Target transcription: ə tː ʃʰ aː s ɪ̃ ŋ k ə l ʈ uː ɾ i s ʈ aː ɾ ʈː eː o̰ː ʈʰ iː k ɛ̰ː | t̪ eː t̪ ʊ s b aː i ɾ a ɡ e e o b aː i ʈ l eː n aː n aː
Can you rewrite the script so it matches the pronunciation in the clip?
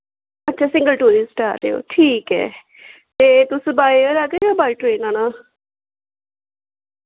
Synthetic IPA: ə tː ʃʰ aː s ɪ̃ ŋ ɡ ə l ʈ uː ɾ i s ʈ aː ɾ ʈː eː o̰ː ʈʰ iː k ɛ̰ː | t̪ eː t̪ ʊ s b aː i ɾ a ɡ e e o b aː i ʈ ɾ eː n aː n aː